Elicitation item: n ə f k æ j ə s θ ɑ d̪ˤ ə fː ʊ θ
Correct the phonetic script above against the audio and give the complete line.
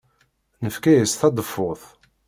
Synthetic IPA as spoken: n ə f k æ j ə s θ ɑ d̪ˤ ə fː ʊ θ